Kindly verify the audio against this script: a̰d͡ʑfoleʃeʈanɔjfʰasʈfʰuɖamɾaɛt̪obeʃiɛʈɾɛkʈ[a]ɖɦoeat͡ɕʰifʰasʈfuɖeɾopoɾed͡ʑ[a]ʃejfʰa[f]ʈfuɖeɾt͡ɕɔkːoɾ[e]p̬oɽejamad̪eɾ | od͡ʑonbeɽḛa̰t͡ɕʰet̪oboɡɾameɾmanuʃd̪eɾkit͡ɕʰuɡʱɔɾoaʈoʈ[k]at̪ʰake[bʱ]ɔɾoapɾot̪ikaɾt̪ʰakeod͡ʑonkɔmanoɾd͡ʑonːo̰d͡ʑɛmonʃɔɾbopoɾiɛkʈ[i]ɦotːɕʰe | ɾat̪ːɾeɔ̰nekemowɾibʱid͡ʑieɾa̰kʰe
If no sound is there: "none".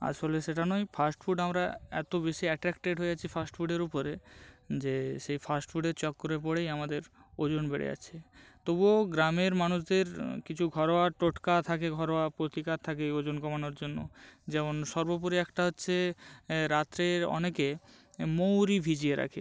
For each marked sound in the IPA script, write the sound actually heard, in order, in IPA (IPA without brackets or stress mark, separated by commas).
e, e, s, e, k, ɡʱ, a